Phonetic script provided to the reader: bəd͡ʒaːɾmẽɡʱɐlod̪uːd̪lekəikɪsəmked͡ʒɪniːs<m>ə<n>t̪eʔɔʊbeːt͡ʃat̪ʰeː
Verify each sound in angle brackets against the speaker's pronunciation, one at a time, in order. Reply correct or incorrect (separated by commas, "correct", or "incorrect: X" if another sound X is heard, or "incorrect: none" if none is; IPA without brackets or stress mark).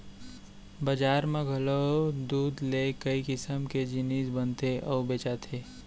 incorrect: b, correct